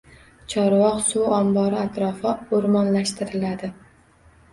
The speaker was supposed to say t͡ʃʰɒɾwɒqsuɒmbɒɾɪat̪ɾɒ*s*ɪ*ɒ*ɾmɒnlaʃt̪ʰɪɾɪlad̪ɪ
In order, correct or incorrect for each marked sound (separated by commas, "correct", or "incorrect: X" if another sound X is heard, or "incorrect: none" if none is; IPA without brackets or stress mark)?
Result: incorrect: f, incorrect: o